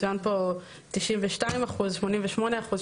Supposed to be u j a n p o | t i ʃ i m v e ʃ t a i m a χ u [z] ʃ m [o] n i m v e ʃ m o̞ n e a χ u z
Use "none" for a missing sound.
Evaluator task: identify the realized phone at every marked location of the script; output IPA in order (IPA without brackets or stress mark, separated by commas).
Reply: z, o